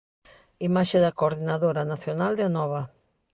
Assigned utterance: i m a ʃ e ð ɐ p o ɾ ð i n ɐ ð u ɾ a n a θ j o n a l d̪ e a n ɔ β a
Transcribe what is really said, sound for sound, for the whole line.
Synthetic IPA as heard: i m a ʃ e ð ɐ k o ɾ ð i n a ð o ɾ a n a θ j o n a l d̪ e a n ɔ β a